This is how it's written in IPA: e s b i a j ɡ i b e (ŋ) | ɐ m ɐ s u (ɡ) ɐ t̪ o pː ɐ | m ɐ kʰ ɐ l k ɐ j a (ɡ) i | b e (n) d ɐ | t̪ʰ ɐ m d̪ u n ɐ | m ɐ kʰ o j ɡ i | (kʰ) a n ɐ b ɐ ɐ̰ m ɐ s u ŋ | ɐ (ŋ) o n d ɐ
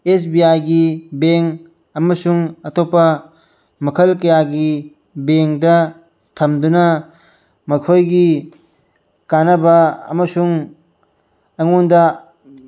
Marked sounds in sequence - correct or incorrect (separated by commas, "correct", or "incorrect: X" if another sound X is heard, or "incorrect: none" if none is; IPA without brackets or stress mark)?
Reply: correct, incorrect: ŋ, correct, incorrect: ŋ, incorrect: k, correct